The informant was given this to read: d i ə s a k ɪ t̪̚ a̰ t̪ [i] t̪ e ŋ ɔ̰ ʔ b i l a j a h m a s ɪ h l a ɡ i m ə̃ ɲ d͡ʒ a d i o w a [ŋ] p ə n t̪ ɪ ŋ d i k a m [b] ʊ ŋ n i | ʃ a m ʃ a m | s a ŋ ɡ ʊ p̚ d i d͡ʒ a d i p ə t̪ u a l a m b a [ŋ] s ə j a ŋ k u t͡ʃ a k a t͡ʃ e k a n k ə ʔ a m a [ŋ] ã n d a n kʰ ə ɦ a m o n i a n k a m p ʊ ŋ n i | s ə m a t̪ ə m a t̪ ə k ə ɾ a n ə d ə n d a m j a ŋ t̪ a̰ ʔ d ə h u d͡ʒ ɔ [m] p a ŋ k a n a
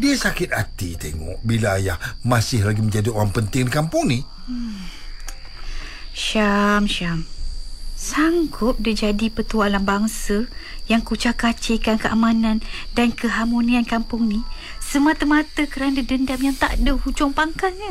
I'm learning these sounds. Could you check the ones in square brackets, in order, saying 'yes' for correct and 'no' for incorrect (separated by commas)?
yes, yes, no, yes, no, no